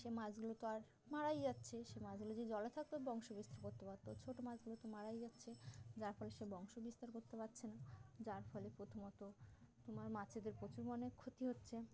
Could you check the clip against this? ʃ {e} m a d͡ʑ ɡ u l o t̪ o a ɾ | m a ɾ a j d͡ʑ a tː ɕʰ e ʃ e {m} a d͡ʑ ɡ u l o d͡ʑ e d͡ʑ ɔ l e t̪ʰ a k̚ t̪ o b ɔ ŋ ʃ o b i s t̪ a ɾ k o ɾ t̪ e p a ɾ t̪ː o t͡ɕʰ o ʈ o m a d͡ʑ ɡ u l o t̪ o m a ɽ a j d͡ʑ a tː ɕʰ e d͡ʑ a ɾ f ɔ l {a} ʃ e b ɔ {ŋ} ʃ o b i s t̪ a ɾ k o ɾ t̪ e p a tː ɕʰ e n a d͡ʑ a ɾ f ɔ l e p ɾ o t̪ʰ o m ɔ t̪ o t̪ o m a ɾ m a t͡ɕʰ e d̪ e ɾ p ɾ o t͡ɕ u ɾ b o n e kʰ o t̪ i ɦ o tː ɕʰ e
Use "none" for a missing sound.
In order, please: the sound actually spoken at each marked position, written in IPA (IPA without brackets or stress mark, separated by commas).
e, m, e, ŋ